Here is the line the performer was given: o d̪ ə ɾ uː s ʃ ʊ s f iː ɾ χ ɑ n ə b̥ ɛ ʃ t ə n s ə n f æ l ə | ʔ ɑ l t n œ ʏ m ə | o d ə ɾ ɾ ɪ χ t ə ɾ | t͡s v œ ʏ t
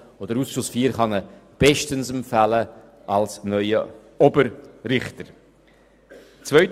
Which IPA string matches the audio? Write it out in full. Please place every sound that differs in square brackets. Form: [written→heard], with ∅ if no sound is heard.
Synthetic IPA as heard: o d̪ ə ɾ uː s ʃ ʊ s f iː ɾ χ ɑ n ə b̥ ɛ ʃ t ə n s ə [n→m] f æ l ə | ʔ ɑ l [t→s] n œ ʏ [m→∅] ə | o [d→b] ə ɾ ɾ ɪ χ t ə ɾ | t͡s v œ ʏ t